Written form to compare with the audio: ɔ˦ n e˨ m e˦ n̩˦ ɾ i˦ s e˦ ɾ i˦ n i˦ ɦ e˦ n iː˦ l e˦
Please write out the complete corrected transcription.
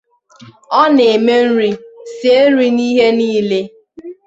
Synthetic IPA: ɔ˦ n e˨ m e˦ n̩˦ ɾ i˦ s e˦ ɾ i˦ n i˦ ɦ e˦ n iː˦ l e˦